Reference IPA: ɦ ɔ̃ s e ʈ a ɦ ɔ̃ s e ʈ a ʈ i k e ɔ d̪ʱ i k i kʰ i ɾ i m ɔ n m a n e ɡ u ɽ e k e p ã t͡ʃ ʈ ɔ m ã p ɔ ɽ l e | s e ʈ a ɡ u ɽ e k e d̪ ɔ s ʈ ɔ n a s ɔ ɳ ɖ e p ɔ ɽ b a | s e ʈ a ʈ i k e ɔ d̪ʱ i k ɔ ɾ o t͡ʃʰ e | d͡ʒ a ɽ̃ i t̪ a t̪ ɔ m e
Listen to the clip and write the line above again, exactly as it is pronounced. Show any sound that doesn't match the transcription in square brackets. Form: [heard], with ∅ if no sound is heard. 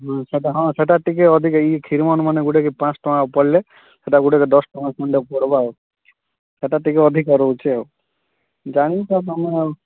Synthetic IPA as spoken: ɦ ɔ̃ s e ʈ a ɦ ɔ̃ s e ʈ a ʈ i k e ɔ d̪ʱ i k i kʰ i ɾ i m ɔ n m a n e ɡ u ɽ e k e p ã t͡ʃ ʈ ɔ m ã p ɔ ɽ l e | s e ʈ a ɡ u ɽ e k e d̪ ɔ s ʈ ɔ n a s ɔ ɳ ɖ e p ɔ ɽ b a | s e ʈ a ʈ i k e ɔ d̪ʱ i k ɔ ɾ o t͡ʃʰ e | d͡ʒ a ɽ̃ i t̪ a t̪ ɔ m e